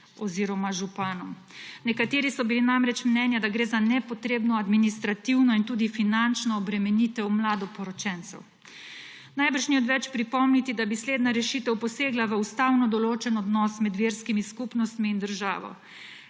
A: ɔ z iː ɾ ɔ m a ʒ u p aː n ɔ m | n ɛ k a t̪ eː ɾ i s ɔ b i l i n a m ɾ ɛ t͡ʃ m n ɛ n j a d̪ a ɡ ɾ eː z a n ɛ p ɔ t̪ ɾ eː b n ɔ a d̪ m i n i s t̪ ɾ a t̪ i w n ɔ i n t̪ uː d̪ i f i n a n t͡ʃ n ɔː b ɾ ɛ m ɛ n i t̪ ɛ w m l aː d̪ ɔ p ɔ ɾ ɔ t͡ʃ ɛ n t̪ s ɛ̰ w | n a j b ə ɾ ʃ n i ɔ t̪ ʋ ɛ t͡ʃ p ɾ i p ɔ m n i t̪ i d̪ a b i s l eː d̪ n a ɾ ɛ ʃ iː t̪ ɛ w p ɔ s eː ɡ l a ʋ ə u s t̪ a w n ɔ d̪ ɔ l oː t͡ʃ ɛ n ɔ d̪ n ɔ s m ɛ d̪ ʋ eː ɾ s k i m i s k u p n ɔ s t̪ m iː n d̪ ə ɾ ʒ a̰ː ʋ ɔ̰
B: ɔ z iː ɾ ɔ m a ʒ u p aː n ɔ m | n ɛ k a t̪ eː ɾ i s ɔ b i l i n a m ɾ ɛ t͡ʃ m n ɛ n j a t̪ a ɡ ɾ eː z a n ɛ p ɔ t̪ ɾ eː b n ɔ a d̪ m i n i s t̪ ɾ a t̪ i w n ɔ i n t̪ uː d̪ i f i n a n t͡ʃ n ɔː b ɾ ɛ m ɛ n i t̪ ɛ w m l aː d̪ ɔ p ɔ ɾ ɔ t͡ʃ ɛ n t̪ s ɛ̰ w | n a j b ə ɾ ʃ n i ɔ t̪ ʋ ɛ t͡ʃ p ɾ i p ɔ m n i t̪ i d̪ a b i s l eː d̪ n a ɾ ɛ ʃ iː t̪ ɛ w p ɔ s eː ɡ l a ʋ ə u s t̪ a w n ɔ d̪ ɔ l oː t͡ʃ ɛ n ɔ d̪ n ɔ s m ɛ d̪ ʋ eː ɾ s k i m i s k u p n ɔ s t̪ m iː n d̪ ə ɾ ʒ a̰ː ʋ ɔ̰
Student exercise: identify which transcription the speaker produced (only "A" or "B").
A